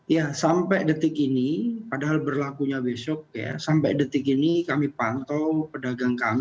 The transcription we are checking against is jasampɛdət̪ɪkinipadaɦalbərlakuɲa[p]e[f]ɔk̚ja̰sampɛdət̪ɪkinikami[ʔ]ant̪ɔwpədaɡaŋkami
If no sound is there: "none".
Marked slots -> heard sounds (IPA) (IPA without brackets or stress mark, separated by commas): b, s, p